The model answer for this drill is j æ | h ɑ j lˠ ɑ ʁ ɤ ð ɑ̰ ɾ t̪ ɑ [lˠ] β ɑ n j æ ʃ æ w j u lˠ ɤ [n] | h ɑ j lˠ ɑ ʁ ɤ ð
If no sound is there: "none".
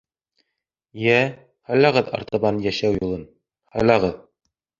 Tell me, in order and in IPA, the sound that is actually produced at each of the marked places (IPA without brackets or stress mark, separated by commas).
none, n